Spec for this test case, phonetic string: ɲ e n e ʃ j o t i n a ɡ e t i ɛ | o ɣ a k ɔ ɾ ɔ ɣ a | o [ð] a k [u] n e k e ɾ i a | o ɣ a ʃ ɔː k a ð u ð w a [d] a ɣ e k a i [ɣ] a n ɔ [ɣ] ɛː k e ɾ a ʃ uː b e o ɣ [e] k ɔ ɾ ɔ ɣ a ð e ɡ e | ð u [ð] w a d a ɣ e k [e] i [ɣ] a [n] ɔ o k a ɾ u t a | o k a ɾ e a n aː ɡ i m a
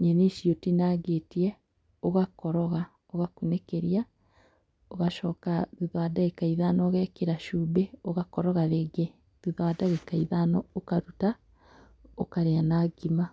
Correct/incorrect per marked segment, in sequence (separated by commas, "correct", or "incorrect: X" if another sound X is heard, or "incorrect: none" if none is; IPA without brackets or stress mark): incorrect: ɣ, correct, correct, incorrect: ð, correct, incorrect: a, correct, incorrect: a, incorrect: ð, correct